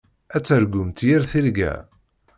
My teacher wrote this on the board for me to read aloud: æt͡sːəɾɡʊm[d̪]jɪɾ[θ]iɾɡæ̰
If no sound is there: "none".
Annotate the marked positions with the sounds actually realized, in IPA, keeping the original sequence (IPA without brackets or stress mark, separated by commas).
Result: t̪, θ